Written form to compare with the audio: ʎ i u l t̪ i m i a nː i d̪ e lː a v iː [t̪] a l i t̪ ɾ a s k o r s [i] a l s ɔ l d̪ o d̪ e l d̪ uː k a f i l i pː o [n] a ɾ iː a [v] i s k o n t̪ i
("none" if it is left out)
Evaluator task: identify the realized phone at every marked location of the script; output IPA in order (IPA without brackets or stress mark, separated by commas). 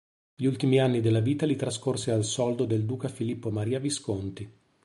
t̪, e, m, v